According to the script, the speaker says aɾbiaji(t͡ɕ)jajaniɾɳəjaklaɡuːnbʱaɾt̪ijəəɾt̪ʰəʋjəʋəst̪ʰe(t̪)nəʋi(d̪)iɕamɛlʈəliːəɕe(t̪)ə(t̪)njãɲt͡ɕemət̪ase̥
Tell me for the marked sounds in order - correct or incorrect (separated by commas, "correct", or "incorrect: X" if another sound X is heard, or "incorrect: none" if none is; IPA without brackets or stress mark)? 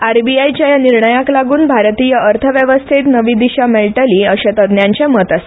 correct, correct, correct, correct, incorrect: d̪